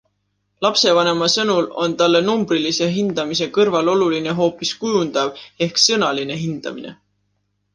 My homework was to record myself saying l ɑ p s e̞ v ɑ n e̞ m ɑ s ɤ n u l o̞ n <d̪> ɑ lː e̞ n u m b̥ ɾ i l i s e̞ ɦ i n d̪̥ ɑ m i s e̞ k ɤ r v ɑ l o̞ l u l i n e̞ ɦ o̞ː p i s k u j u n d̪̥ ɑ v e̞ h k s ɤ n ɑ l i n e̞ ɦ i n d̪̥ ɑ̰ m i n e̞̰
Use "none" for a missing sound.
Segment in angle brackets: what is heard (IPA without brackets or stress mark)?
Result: t̪